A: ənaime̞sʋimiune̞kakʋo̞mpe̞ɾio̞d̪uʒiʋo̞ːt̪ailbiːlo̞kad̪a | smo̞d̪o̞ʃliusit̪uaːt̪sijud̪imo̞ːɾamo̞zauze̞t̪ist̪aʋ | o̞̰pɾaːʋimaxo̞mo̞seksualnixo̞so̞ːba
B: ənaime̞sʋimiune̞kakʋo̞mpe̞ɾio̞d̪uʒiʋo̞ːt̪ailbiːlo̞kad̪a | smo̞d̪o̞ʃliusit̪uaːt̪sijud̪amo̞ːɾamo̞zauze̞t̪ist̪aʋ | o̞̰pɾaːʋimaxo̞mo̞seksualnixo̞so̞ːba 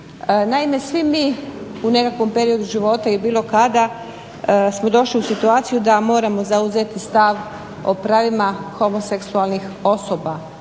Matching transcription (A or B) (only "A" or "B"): B